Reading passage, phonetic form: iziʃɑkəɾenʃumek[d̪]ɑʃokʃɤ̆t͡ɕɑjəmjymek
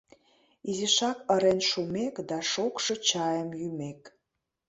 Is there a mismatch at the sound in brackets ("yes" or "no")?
no